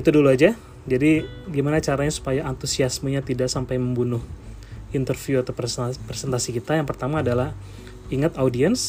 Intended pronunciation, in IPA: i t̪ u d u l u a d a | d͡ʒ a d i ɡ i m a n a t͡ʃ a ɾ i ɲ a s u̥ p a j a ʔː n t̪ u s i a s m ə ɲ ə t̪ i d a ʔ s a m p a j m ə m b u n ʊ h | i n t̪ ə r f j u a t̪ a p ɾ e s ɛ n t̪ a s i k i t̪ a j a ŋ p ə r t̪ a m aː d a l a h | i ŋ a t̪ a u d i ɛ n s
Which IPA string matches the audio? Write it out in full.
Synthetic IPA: i t̪ u d u l u a d͡ʒ a | d͡ʒ a d i ɡ i m a n a t͡ʃ a ɾ a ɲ a s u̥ p a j a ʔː n t̪ u s i a s m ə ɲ a t̪ i d a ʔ s a m p a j m ə m b u n ʊ h | i n t̪ ə r f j u a t̪ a p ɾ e s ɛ n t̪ a s i k i t̪ a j a ŋ p ə r t̪ a m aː d a l a h | i ŋ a t̪ a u d i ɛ n s